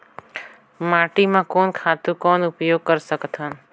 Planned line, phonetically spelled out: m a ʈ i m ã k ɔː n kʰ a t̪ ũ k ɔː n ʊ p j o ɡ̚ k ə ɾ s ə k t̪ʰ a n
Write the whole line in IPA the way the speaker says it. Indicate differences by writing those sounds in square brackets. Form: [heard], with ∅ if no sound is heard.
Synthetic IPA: m a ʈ i m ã k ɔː n kʰ a t̪ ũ k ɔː n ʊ p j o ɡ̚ k ə ɾ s ə k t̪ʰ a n